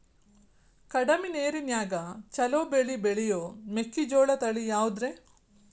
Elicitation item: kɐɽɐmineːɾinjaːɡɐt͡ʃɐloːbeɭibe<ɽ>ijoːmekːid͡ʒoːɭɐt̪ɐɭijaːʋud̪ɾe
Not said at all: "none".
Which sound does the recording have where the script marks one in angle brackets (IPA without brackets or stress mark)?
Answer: ɭ